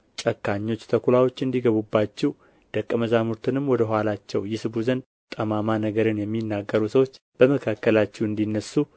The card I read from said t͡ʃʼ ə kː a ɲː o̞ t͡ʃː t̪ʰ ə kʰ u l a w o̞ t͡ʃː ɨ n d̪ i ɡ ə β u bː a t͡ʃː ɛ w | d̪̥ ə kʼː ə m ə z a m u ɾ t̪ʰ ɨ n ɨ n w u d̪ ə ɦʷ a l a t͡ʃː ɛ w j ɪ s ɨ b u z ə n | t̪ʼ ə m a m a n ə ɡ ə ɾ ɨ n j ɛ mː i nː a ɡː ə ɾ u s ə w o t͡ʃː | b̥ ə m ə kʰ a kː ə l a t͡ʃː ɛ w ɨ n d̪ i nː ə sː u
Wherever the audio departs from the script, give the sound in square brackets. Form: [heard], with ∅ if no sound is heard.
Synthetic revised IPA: t͡ʃʼ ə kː a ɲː o̞ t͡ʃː t̪ʰ ə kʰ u l a w o̞ t͡ʃː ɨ n d̪ i ɡ ə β u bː a t͡ʃː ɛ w | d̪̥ ə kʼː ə m ə z a m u ɾ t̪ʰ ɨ n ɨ [m] w [ɔ] d̪ ə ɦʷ a l a t͡ʃː ɛ w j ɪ s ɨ b u z ə n | t̪ʼ ə m a m a n ə ɡ ə ɾ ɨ n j ɛ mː i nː a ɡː ə ɾ u s ə w o t͡ʃː | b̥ ə m ə kʰ a kː ə l a t͡ʃː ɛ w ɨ n d̪ i nː ə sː u